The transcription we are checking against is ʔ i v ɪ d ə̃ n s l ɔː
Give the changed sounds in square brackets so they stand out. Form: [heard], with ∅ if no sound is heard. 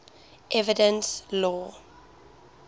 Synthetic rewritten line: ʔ [ɛ] v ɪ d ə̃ n s l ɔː